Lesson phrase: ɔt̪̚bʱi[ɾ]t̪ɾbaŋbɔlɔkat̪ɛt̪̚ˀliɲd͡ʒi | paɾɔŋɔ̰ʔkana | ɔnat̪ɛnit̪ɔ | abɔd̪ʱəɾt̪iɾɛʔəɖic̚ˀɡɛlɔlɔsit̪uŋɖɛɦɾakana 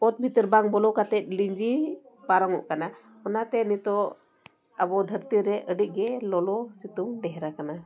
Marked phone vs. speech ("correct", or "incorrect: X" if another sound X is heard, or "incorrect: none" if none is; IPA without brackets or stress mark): incorrect: none